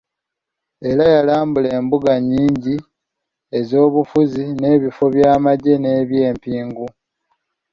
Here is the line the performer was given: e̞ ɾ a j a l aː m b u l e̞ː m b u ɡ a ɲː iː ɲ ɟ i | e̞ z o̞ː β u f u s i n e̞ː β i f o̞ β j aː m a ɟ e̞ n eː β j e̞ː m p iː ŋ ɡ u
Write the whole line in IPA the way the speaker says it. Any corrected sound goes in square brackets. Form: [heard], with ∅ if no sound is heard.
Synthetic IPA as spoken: e̞ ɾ a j a l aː m b u l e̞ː m b u ɡ a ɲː iː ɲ ɟ i | e̞ z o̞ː β u f u [z] i n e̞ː β i f o̞ β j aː m a ɟ e̞ n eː β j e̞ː m p iː ŋ ɡ u